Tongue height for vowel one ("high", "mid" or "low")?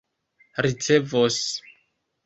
high